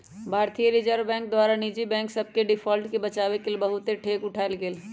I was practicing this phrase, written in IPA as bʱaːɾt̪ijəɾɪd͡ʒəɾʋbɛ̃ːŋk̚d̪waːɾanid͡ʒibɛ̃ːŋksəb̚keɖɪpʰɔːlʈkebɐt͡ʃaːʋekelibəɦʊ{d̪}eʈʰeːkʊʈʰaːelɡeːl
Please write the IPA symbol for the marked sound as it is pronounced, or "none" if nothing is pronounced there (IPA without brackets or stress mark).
t̪